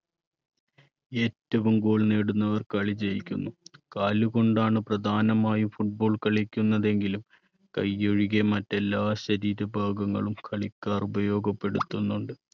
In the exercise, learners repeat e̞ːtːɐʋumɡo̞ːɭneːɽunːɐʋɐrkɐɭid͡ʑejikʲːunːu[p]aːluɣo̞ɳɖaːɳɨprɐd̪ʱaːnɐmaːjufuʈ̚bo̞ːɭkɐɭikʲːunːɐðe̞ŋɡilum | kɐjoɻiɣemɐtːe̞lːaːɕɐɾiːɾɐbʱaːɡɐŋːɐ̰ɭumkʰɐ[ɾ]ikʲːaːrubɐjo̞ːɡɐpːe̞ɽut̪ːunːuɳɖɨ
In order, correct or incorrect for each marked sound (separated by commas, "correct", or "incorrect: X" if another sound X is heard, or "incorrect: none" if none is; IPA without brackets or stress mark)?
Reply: incorrect: k, incorrect: ɭ